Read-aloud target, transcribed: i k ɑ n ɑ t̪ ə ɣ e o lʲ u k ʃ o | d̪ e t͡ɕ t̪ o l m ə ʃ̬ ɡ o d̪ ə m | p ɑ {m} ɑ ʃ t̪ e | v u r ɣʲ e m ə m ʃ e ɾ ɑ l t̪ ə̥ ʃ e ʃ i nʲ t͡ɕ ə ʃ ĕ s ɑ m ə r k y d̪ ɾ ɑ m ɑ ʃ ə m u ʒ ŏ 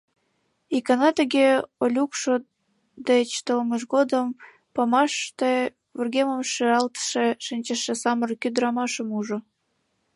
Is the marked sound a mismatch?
no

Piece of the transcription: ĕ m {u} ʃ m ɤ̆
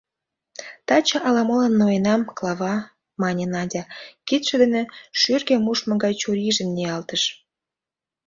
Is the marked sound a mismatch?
no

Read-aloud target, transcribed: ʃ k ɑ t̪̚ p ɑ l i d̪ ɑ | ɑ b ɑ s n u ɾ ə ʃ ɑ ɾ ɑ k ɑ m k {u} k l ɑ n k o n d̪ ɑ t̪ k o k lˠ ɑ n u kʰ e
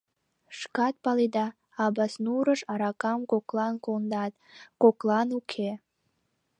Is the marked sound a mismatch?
yes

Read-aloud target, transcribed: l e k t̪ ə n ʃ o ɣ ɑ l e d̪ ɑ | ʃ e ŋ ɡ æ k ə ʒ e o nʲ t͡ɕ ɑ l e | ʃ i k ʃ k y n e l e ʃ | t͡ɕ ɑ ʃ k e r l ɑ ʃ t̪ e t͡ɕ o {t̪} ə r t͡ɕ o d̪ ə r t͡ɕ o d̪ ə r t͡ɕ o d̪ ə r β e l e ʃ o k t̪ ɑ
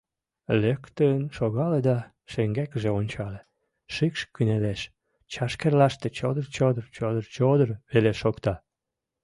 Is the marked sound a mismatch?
yes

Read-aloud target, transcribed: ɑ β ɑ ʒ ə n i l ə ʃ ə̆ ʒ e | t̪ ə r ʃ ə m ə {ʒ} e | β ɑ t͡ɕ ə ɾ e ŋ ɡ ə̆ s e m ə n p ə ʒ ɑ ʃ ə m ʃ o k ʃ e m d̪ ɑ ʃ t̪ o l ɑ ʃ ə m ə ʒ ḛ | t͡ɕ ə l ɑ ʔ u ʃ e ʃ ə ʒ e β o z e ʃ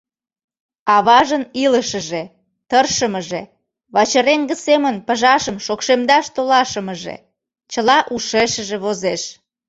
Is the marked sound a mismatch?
no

